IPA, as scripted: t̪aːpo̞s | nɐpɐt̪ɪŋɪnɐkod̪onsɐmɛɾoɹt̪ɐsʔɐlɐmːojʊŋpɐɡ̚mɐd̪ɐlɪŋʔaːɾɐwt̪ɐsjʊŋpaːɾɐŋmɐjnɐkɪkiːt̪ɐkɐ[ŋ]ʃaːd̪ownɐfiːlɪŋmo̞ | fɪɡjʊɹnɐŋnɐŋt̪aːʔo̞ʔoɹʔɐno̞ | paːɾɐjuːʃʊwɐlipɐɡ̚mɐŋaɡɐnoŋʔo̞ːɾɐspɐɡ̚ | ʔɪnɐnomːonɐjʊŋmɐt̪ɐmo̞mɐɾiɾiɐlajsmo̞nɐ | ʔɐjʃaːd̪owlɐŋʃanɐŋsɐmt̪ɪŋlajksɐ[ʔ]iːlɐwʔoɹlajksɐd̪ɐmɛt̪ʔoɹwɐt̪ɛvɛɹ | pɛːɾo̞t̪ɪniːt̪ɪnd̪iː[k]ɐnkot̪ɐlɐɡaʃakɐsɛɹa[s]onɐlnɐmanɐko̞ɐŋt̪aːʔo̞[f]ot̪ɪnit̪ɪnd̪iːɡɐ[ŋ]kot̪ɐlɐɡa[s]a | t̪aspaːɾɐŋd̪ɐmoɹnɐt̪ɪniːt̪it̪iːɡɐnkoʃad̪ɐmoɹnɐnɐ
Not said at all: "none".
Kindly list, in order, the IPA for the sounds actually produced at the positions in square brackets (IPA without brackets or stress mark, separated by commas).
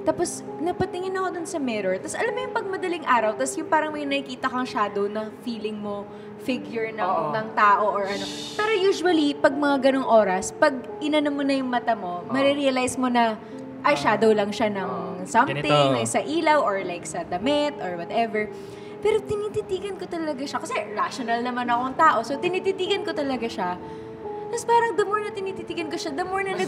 ŋ, ʔ, ɡ, ʃ, s, n, ʃ